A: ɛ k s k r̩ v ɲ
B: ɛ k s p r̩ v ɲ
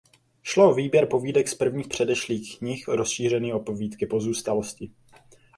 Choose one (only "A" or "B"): B